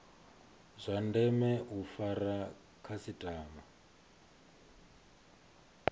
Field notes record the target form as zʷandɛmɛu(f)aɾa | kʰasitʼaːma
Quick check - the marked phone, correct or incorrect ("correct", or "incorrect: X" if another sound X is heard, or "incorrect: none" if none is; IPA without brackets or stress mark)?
correct